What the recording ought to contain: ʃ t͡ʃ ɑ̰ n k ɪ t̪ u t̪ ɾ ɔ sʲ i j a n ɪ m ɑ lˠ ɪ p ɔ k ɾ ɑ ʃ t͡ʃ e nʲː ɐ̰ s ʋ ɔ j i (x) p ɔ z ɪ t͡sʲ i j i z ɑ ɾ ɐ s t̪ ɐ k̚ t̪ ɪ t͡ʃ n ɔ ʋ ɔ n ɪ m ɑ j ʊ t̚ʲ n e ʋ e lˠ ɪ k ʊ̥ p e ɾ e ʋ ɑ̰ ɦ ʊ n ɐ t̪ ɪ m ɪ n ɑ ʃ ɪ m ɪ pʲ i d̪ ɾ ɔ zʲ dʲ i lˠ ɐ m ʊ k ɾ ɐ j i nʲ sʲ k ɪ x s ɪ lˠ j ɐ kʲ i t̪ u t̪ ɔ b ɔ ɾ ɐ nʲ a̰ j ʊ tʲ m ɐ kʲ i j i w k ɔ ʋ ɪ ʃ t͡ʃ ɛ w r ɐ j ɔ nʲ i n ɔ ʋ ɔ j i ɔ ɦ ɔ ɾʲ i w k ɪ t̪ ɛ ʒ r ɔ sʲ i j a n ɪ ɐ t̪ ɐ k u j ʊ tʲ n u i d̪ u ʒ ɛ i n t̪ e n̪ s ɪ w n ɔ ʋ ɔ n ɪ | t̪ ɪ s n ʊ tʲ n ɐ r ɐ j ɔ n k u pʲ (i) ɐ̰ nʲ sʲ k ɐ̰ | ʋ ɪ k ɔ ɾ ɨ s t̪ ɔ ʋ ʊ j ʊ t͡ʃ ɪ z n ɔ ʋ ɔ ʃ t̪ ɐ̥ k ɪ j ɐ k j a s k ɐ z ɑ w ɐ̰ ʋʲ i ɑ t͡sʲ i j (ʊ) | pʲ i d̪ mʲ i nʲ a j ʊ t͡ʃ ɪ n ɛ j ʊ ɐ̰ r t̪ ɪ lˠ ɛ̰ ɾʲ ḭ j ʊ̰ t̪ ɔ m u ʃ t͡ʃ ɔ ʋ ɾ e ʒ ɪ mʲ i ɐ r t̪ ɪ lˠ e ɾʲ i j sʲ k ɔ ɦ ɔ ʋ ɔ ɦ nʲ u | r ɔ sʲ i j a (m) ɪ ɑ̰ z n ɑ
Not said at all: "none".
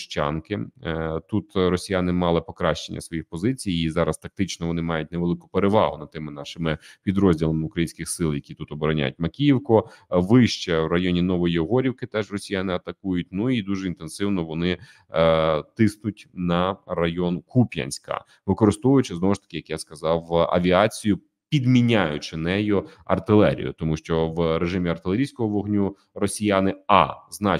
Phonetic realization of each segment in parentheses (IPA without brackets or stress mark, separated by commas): x, j, ʊ, n